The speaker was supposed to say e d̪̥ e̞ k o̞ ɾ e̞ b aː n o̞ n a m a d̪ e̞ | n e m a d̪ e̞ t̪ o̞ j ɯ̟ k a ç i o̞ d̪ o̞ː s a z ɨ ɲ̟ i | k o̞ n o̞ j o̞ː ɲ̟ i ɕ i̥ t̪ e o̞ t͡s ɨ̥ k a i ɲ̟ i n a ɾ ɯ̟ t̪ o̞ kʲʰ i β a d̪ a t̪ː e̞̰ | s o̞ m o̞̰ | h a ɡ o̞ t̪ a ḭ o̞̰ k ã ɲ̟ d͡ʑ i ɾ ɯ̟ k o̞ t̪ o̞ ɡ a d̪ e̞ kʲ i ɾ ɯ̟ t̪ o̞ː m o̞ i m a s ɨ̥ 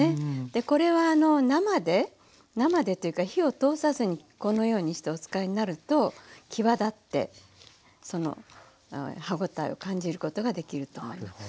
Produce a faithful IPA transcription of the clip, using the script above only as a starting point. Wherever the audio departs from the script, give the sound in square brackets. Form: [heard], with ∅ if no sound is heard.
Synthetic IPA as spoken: e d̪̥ e̞ k o̞ ɾ e̞ [β] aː n o̞ n a m a d̪ e̞ | n [a] m a d̪ e̞ t̪ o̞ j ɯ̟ k a ç i o̞ [t̪] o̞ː s a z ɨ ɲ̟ i | k o̞ n o̞ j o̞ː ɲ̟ i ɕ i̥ t̪ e o̞ t͡s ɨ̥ k a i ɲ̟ i n a ɾ ɯ̟ t̪ o̞ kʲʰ i β a d̪ a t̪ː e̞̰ | s o̞ [n] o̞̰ | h a ɡ o̞ t̪ a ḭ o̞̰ k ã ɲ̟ d͡ʑ i ɾ ɯ̟ k o̞ t̪ o̞ ɡ a d̪ e̞ kʲ i ɾ ɯ̟ t̪ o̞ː m o̞ i m a s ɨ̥